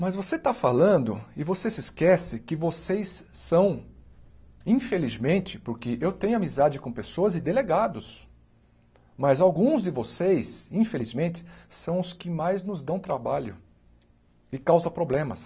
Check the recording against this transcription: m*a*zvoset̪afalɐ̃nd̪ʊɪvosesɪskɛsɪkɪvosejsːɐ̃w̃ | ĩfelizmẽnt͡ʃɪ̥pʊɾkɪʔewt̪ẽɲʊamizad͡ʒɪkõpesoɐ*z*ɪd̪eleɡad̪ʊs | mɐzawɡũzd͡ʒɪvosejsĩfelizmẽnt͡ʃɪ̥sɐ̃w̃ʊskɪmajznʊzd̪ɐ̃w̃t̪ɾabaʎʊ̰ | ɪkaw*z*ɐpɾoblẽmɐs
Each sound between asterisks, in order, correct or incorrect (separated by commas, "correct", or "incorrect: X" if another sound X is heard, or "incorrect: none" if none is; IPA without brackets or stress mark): incorrect: ɐ, correct, correct